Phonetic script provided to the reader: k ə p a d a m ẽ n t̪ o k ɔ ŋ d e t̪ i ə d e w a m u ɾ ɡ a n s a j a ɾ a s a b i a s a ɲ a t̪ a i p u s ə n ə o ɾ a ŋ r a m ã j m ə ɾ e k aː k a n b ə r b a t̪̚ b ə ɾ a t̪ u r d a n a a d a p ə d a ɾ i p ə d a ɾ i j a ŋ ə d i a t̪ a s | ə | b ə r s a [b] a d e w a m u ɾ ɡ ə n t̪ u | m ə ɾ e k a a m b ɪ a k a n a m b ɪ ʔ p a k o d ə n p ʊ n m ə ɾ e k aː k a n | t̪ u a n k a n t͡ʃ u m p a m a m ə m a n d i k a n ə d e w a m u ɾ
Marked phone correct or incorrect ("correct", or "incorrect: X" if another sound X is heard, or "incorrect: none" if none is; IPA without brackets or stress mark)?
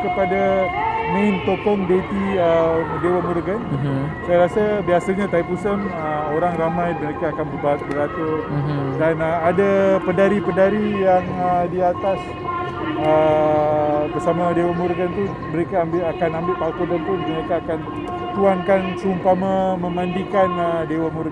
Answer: incorrect: m